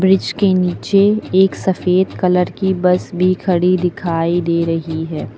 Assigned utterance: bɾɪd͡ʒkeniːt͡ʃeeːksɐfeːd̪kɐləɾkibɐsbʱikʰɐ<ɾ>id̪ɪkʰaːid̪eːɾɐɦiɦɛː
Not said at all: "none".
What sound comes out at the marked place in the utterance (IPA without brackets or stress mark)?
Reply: ɽ